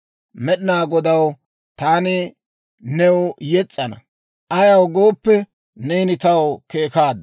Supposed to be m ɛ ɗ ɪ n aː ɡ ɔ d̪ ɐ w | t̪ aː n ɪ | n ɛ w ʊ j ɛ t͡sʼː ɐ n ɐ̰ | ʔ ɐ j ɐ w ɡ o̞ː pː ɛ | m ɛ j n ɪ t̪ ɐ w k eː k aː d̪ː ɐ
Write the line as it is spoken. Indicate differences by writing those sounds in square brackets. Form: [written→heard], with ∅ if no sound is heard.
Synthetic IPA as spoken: m ɛ ɗ ɪ n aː ɡ ɔ d̪ ɐ w | t̪ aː n ɪ | n ɛ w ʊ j ɛ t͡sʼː ɐ n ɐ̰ | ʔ ɐ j ɐ w ɡ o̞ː pː ɛ | [m→n] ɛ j n ɪ t̪ ɐ w k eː k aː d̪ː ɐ